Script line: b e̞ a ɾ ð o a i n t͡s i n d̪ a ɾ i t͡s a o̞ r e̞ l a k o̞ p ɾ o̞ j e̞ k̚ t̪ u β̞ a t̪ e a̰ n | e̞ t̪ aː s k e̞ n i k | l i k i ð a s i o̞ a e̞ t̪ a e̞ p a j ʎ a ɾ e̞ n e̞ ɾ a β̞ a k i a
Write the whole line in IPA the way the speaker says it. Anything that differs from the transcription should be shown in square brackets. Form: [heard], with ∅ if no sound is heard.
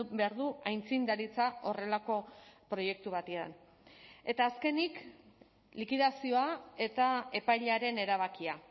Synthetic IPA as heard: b e̞ a ɾ ð [u] a [j] n t͡s i n d̪ a ɾ i t͡s a o̞ r e̞ l a k o̞ p ɾ o̞ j e̞ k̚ t̪ u β̞ a t̪ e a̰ n | e̞ t̪ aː s k e̞ n i k | l i k i ð a s i o̞ a e̞ t̪ a e̞ p a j ʎ a ɾ e̞ n e̞ ɾ a β̞ a k i a